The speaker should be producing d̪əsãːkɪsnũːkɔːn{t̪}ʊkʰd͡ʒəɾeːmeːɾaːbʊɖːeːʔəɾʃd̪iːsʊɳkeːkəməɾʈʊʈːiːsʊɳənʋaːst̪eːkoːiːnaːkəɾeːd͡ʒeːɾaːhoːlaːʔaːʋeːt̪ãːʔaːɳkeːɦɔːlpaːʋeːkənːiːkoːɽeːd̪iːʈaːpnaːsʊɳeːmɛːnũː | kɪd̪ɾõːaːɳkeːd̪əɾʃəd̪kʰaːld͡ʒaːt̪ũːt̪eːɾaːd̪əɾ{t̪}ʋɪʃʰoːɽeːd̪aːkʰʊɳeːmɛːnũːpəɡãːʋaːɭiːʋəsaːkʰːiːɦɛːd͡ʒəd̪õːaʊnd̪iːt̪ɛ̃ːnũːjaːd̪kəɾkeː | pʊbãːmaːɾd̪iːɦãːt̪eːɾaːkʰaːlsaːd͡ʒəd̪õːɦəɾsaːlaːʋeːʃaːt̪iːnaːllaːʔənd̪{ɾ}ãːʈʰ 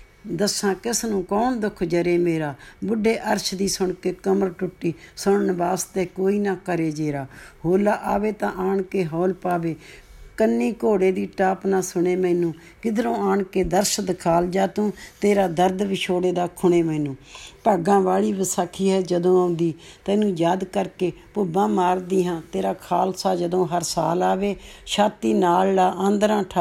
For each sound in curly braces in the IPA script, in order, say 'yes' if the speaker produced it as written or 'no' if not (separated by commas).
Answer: no, no, yes